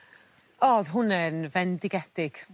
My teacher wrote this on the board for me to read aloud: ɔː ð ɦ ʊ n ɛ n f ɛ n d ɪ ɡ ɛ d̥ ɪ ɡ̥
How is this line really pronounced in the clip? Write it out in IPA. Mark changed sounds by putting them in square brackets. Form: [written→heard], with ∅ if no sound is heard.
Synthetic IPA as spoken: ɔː ð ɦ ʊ n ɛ n [f→v] ɛ n d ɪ ɡ ɛ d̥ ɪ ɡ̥